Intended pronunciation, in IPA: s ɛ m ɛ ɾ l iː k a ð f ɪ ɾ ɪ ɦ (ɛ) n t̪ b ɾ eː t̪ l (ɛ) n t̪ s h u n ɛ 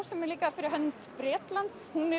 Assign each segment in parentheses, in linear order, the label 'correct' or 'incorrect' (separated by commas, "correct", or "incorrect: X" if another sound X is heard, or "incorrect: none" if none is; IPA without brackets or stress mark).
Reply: incorrect: œ, incorrect: a